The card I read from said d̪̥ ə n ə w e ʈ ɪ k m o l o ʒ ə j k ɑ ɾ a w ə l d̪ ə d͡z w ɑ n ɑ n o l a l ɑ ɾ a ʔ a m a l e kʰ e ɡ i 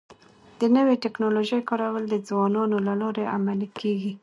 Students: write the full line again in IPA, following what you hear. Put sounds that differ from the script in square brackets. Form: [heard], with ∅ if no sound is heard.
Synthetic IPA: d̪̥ ə n ə w e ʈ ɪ k [n] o l o ʒ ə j k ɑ ɾ a w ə l d̪ ə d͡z w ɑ n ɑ n o l a l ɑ ɾ [e] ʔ a m a l [i] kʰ e ɡ i